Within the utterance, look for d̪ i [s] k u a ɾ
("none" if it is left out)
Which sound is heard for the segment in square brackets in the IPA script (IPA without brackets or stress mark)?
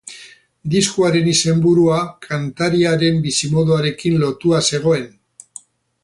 s